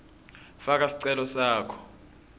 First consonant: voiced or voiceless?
voiceless